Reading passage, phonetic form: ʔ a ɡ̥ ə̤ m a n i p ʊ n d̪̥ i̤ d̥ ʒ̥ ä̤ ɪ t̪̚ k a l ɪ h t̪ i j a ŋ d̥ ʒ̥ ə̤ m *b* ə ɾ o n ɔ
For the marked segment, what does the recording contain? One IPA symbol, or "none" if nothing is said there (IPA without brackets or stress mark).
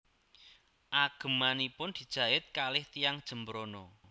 b